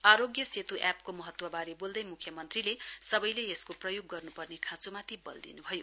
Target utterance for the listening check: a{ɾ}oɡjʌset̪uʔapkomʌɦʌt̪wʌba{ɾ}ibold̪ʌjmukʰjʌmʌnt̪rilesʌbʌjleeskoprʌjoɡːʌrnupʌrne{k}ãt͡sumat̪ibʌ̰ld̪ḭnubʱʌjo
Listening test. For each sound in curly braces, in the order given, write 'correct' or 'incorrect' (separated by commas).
correct, correct, incorrect